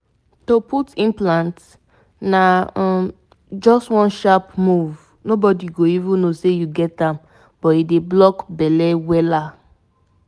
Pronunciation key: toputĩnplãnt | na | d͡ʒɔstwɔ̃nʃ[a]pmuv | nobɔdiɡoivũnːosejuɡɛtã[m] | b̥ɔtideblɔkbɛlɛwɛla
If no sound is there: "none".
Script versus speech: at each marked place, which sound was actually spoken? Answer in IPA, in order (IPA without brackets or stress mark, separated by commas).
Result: a, m